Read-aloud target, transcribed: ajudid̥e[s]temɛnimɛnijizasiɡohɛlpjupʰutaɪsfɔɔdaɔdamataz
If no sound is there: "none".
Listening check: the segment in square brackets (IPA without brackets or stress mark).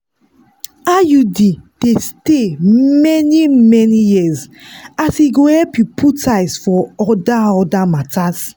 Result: s